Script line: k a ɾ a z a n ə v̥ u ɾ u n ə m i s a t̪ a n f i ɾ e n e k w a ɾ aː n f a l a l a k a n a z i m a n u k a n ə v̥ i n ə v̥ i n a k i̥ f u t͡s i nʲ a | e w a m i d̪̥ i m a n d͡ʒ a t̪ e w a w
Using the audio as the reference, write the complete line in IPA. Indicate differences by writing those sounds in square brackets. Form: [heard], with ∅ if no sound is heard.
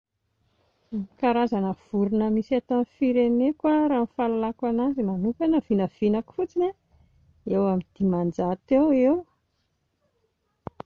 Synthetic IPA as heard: k a ɾ a z a n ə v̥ u ɾ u n ə m i s a t̪ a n f i ɾ e n e k w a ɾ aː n f a l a l a k a n a z i m a n u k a n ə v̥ i n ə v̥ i n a k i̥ f u t͡s i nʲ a | e w a m i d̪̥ i m a n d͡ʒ a t̪ e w [e] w